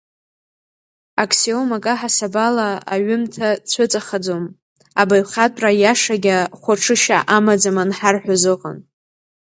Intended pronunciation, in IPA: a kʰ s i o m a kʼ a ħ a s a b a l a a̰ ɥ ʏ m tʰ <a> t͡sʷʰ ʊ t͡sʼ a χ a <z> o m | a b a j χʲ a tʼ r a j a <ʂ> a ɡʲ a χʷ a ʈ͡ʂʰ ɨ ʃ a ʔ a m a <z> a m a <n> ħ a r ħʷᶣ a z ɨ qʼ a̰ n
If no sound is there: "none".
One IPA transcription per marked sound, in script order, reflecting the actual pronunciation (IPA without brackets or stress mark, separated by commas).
a, d͡z, ʂ, d͡z, n